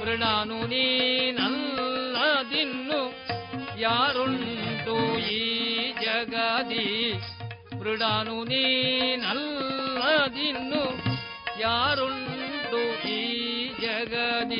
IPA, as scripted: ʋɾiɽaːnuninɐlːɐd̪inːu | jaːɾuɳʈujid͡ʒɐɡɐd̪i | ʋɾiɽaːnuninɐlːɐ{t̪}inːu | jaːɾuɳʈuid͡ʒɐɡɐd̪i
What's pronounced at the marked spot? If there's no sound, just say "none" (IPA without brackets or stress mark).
d̪